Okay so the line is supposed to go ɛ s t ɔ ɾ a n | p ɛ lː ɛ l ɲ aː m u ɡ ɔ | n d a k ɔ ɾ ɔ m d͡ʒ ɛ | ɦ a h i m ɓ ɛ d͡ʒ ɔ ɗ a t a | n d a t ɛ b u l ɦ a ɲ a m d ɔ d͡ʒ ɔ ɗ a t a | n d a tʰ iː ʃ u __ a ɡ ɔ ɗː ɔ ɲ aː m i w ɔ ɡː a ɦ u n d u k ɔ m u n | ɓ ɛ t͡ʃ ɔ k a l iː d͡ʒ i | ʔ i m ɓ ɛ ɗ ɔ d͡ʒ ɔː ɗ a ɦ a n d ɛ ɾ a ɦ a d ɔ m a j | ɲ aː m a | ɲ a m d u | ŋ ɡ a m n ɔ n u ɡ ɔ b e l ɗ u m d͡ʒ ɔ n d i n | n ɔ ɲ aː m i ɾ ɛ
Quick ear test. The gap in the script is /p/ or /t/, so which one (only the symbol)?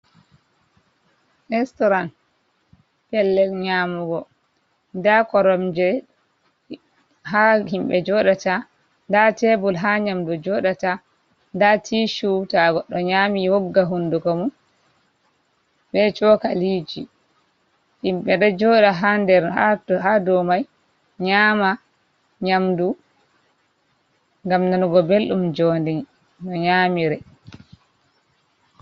t